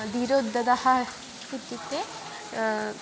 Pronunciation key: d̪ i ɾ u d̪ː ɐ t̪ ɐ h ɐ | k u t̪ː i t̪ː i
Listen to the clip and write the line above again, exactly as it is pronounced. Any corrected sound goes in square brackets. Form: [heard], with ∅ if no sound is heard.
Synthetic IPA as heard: d̪ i ɾ [o] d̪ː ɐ [d̪] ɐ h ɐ | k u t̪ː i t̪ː [e]